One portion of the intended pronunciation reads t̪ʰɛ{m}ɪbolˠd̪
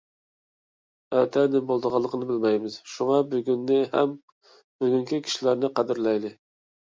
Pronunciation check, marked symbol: incorrect: n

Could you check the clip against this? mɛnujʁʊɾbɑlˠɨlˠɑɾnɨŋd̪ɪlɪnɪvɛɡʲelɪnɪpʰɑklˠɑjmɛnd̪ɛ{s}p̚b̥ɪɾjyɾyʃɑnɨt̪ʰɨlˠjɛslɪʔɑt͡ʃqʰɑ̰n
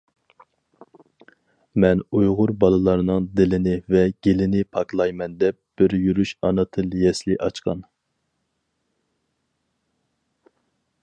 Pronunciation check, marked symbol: incorrect: none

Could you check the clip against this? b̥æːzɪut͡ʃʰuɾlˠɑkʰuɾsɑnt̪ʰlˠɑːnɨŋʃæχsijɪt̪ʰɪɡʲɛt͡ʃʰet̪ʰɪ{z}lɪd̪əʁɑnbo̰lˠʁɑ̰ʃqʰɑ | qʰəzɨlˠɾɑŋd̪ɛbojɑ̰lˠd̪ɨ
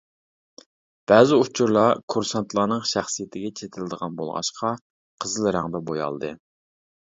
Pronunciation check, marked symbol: incorrect: none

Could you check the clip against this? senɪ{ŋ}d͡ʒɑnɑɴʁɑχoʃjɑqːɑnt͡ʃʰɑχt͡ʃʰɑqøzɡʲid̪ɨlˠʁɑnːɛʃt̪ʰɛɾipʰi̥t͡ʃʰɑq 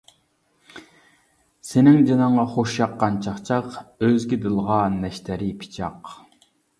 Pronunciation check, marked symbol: correct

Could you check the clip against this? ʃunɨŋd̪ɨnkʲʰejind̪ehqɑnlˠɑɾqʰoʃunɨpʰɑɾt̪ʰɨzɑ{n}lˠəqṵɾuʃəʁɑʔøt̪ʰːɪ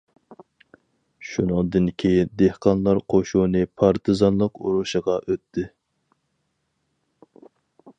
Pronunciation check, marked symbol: correct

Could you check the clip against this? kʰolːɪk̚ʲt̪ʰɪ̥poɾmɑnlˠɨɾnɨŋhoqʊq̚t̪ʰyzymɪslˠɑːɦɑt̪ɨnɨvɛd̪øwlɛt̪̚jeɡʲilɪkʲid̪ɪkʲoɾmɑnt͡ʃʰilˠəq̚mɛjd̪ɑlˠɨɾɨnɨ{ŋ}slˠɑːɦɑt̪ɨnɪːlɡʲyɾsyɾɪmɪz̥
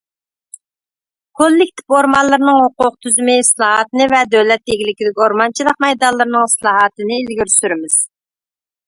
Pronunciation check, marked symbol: correct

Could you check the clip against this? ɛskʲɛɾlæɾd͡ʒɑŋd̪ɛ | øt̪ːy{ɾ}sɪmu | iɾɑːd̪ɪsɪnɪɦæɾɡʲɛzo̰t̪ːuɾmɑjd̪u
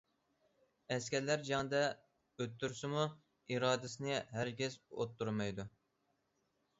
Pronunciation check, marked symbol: correct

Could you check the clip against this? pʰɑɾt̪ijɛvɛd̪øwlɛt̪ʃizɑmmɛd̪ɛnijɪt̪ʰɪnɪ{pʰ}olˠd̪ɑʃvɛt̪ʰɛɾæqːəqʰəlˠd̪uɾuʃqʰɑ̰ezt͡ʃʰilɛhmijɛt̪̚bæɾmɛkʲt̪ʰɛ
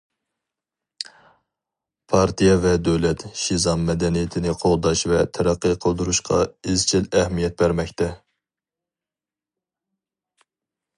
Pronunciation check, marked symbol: incorrect: qʰ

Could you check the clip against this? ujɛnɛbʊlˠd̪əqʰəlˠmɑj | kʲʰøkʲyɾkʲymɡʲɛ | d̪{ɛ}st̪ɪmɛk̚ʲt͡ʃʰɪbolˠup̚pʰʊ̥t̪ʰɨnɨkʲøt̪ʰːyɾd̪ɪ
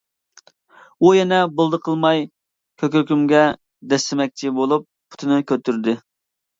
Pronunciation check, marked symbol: correct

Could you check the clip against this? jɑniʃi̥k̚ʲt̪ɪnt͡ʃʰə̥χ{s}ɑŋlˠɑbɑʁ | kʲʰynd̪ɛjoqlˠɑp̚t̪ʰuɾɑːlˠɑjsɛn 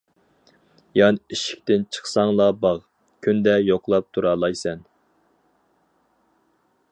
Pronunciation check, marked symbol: correct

